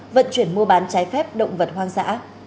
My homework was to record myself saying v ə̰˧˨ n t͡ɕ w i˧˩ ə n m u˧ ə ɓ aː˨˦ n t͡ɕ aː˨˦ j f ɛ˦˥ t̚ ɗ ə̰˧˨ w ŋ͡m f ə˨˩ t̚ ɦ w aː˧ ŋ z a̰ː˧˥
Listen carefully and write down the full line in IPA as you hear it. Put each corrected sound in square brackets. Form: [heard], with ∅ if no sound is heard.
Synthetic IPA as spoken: v ə̰˧˨ n t͡ɕ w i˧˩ ə n m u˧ ə ɓ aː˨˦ n t͡ɕ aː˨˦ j f ɛ˦˥ [p̚] ɗ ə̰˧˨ w ŋ͡m [v] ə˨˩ t̚ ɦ w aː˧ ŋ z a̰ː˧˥